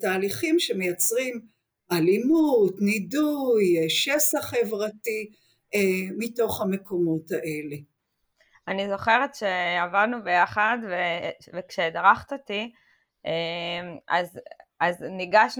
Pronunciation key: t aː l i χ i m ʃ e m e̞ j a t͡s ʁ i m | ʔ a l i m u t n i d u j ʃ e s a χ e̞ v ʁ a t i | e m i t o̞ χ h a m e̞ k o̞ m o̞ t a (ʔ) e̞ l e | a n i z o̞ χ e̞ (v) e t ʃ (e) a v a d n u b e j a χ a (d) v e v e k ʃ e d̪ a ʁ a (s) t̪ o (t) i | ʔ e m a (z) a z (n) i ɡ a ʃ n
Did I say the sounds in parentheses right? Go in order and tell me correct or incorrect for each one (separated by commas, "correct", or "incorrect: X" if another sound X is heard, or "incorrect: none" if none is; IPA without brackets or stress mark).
correct, incorrect: ʁ, correct, correct, incorrect: χ, correct, correct, correct